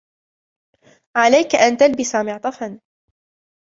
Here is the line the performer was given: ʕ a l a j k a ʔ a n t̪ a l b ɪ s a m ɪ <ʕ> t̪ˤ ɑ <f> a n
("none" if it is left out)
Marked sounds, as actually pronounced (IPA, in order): ʕ, f

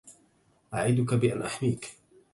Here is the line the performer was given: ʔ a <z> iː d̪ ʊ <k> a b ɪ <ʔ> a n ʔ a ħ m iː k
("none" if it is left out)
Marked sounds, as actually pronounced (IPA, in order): ʕ, k, ʔ

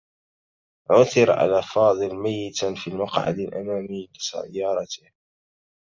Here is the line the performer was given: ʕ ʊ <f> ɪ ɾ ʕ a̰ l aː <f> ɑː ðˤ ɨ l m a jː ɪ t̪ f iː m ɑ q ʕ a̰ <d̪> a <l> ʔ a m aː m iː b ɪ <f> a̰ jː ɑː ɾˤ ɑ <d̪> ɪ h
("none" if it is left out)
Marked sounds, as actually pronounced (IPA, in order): θ, f, d̪, l, s, t̪

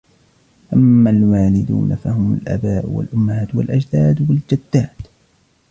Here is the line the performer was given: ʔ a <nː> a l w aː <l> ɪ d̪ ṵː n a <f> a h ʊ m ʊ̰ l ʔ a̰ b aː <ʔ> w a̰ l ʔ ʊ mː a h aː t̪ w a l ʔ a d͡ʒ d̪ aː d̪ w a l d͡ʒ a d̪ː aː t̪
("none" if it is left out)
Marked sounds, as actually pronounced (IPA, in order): mː, l, f, ʔ

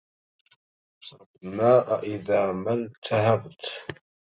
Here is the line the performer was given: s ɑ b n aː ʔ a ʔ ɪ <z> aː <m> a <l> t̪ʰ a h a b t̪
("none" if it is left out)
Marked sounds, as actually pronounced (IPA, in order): ð, m, l

